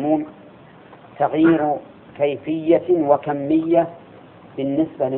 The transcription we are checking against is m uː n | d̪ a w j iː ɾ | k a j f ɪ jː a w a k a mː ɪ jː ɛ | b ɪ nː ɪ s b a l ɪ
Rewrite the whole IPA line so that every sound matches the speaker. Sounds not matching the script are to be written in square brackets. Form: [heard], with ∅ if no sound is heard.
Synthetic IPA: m uː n | [t̪] a [ɣ] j iː ɾ | k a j f ɪ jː a w a k a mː ɪ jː [a] | b ɪ nː ɪ s b a l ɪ